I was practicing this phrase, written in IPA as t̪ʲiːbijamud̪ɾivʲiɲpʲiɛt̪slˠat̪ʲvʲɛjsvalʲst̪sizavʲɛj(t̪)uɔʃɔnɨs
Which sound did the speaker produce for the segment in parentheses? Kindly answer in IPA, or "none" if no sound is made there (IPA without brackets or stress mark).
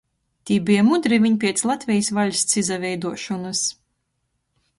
d̪